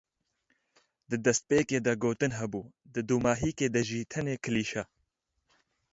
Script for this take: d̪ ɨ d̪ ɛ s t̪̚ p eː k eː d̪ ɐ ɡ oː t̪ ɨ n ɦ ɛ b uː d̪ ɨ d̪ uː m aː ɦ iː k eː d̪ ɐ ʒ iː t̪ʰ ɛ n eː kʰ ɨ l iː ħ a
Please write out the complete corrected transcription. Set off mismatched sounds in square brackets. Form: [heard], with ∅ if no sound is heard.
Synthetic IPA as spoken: d̪ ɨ d̪ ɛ s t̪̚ p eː k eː d̪ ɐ ɡ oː t̪ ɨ n ɦ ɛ b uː d̪ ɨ d̪ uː m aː ɦ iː k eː d̪ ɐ ʒ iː t̪ʰ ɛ n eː kʰ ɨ l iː [ʃ] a